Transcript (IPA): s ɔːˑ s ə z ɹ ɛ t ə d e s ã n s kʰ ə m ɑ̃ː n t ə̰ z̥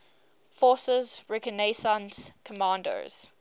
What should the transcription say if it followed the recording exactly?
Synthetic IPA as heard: f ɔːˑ s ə z ɹ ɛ k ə n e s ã n s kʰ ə m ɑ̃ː n d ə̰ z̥